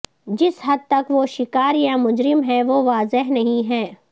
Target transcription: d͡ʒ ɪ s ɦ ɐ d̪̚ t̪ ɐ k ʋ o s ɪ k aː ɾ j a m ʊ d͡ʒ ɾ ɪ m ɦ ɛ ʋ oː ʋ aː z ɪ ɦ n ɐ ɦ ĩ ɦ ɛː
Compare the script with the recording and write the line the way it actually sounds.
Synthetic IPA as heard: d͡ʒ ɪ s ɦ ɐ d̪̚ t̪ ɐ k ʋ o ʃ ɪ k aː ɾ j a m ʊ d͡ʒ ɾ ɪ m ɦ ɛ ʋ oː ʋ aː z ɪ ɦ n ɐ ɦ ĩ ɦ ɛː